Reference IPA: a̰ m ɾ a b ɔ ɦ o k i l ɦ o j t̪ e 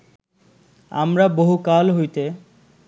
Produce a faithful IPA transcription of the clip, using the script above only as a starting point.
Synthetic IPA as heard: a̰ m ɾ a b o ɦ u k a l ɦ o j t̪ e